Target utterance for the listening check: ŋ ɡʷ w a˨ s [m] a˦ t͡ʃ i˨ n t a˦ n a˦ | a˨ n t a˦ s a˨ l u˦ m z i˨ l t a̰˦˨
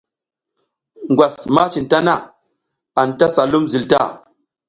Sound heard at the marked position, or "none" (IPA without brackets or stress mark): m